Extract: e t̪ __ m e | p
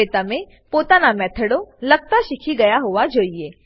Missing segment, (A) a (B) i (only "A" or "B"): A